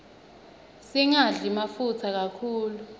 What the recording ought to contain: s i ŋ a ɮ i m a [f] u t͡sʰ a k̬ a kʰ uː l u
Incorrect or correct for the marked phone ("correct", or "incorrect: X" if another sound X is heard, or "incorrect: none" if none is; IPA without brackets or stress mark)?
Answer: correct